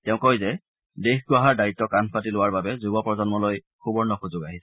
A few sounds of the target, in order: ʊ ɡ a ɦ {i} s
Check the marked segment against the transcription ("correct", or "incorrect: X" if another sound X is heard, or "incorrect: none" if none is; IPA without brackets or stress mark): correct